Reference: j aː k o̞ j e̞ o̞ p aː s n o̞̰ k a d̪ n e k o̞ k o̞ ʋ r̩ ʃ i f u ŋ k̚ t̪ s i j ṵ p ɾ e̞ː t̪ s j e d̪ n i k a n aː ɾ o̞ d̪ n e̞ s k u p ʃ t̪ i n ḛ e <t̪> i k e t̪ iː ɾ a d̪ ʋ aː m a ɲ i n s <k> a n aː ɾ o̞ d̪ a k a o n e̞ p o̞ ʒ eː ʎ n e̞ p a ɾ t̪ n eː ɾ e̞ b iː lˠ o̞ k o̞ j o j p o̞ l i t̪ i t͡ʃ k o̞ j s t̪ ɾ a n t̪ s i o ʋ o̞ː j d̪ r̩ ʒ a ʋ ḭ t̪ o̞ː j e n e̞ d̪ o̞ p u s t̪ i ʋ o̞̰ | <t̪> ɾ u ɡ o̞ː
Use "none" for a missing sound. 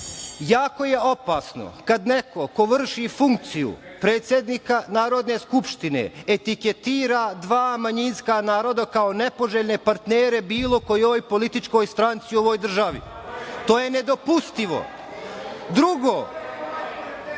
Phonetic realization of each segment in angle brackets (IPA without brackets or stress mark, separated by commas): t̪, k, d̪